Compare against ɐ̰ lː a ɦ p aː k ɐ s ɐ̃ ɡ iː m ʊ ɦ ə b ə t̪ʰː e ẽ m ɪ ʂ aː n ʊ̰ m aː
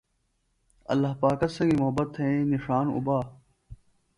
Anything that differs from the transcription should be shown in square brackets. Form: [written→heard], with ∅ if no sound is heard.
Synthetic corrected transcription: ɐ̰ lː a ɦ p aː k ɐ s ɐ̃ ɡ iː m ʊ ɦ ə b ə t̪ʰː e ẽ [m→n] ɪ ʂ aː n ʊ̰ [m→b] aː